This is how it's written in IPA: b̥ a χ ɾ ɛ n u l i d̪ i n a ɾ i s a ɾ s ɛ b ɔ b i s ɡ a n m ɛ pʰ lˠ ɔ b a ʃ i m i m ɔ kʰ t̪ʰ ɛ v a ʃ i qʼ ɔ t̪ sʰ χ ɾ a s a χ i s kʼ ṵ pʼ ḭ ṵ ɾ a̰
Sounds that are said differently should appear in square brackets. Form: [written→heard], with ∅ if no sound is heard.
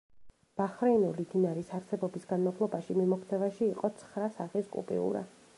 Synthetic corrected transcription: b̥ a χ ɾ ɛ n u l i d̪ i n a ɾ i s a ɾ s ɛ b ɔ b i s ɡ a n m [ɛ→a] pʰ lˠ ɔ b a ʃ i m i m ɔ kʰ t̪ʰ ɛ v a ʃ [i→iː] qʼ ɔ t̪ sʰ χ ɾ a s a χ i s kʼ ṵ pʼ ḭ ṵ ɾ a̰